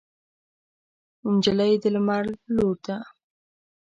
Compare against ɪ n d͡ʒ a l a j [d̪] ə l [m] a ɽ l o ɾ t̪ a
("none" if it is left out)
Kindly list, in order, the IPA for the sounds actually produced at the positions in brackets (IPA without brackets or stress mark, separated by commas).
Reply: d̪, m